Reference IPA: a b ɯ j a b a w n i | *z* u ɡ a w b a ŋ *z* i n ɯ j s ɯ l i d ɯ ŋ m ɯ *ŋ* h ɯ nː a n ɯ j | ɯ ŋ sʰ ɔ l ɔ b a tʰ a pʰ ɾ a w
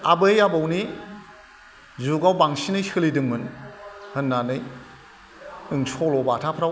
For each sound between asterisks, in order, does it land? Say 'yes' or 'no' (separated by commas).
yes, no, no